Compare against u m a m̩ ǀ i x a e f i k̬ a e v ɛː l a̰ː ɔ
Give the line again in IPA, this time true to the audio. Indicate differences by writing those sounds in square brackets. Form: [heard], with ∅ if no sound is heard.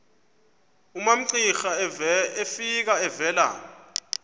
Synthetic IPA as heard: u m a m̩ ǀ i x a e f i k̬ a [ɛ] v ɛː l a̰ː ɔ